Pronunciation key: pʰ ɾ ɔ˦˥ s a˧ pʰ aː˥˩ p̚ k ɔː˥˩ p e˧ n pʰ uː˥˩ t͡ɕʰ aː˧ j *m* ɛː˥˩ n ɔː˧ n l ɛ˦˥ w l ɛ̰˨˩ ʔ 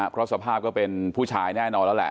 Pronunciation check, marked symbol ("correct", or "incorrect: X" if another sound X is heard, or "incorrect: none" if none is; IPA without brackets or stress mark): incorrect: n